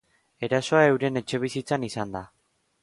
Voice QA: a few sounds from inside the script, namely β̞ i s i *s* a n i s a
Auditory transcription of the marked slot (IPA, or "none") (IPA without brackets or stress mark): t͡s